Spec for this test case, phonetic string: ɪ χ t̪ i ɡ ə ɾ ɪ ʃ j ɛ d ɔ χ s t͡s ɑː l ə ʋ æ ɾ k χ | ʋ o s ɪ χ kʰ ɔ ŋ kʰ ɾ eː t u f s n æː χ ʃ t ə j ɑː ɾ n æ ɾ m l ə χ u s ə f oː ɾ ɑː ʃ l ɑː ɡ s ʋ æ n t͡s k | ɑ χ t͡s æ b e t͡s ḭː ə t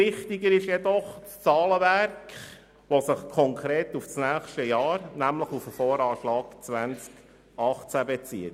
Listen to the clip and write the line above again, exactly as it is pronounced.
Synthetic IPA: ɪ χ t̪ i ɡ ə ɾ ɪ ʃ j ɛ d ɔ χ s t͡s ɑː l ə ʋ æ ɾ k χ | ʋ o s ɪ χ kʰ ɔ ŋ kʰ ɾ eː t u f s n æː χ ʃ t ə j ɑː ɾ n æ m l ə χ u f ə f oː ɾ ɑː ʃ l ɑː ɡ t͡s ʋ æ n t͡s k | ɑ χ t͡s æ b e t͡s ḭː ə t